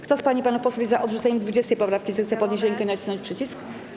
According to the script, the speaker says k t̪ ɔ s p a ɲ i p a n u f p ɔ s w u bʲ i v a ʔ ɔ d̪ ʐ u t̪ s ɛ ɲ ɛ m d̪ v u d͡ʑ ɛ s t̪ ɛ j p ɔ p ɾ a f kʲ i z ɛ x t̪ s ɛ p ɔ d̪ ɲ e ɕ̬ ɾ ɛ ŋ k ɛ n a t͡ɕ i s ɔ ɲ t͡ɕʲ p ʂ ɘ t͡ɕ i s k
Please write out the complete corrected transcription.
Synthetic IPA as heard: k t̪ ɔ s p a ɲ i p a n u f p ɔ s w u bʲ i z a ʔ ɔ d̪ ʐ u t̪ s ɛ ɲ ɛ m d̪ v u d͡ʑ ɛ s t̪ ɛ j p ɔ p ɾ a f kʲ i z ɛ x t̪ s ɛ p ɔ d̪ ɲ e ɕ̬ ɾ ɛ ŋ k ɛ n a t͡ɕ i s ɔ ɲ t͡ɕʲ p ʂ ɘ t͡ɕ i s k